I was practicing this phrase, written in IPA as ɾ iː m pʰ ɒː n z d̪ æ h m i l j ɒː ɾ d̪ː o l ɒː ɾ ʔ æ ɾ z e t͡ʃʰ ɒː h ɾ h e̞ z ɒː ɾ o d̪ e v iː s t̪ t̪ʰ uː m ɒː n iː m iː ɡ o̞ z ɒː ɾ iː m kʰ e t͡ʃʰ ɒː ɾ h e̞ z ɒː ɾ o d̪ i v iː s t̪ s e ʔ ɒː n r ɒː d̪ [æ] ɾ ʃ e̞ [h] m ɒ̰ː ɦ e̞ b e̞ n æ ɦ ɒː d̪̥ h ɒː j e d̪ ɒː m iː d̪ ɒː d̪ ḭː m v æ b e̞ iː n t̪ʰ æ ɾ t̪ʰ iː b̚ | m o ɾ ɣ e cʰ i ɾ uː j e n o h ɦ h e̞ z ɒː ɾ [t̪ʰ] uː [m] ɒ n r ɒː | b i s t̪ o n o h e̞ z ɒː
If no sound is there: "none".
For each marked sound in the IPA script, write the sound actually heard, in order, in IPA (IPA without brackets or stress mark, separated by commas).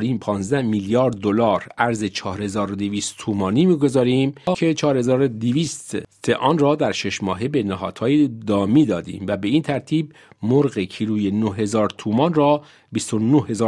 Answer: æ, ʃ, t̪ʰ, m